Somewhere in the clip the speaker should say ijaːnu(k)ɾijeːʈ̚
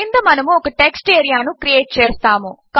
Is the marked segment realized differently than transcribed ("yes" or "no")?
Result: no